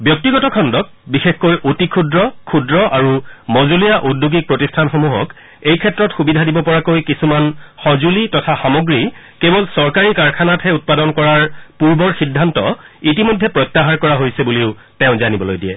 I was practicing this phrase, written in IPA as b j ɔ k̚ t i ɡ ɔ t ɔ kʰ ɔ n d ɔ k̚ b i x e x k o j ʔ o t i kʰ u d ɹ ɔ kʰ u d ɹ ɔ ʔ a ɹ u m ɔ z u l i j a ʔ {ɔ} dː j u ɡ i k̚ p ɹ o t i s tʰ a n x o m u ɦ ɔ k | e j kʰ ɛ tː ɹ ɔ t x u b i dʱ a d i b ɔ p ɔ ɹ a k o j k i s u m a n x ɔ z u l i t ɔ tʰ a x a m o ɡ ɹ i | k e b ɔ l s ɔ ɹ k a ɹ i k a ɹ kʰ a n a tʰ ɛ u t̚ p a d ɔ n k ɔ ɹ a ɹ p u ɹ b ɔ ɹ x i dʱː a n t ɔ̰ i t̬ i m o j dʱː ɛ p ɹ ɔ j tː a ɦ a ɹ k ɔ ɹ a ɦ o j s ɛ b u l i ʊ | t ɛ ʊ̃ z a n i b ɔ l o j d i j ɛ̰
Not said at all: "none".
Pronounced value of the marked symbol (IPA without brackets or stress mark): u